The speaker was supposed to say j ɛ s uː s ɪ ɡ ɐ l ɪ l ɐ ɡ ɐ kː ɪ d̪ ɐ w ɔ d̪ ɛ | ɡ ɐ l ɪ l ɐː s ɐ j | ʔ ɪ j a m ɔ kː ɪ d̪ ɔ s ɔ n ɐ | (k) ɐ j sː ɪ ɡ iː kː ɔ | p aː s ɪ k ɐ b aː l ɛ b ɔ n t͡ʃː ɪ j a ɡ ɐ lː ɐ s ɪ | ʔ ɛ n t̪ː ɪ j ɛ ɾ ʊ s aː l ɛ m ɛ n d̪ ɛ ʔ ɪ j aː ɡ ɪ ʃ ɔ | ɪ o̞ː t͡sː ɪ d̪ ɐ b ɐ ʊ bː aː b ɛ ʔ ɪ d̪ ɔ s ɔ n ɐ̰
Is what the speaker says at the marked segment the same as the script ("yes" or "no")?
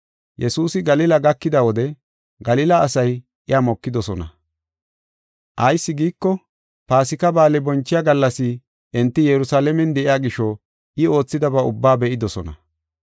no